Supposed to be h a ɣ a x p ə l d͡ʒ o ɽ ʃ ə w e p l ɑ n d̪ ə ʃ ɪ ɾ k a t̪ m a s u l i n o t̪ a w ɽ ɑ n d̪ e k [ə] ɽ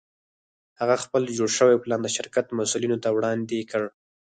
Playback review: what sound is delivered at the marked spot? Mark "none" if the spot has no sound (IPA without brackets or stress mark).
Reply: ə